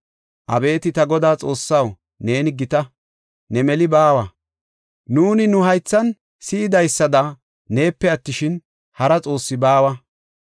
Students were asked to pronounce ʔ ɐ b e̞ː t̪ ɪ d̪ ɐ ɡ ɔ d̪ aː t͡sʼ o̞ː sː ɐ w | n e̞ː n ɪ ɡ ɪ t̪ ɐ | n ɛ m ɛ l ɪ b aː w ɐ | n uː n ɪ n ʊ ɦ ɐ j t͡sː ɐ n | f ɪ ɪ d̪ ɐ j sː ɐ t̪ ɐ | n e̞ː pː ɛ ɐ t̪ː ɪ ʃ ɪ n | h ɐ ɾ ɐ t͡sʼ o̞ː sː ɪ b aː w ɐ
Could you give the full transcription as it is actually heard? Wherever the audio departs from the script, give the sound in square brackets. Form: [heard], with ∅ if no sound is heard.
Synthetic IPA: ʔ ɐ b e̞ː t̪ ɪ [t̪] ɐ ɡ ɔ d̪ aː t͡sʼ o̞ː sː ɐ w | n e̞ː n ɪ ɡ ɪ t̪ ɐ | n ɛ m ɛ l ɪ b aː w ɐ | n uː n ɪ n ʊ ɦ ɐ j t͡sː ɐ n | [s] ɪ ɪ d̪ ɐ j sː ɐ [d̪] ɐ | n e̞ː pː ɛ ɐ t̪ː ɪ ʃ ɪ n | h ɐ ɾ ɐ t͡sʼ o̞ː sː ɪ b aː w ɐ